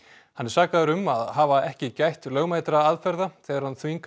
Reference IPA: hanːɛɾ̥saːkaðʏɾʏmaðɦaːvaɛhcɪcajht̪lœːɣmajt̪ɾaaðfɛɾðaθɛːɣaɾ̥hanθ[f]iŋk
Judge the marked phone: incorrect: v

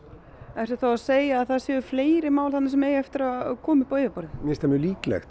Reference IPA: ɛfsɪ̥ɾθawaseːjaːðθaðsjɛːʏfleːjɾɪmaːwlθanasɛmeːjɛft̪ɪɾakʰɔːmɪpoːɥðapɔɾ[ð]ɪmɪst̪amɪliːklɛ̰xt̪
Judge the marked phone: correct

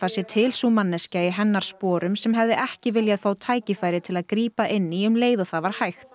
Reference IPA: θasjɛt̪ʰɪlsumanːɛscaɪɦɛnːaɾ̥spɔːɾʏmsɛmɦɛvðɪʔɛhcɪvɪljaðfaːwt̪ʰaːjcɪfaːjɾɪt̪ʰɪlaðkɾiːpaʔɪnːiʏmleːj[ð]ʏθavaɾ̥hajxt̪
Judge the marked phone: correct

